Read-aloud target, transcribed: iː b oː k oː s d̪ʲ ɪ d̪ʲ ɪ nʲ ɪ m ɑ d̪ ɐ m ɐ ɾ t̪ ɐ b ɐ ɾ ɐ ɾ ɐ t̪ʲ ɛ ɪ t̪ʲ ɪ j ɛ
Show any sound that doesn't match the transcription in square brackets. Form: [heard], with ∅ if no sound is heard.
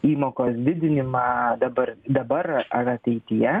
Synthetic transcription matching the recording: iː [m] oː k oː s d̪ʲ ɪ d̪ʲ ɪ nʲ ɪ m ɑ d̪ ɐ [b] ɐ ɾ [d̪] ɐ b ɐ ɾ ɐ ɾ ɐ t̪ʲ ɛ ɪ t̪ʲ ɪ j ɛ